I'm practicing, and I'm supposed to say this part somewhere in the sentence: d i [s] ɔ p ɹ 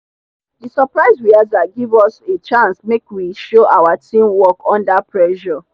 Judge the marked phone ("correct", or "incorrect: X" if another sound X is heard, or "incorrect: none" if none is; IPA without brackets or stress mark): correct